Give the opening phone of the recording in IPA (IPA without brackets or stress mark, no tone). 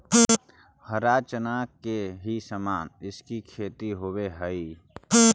h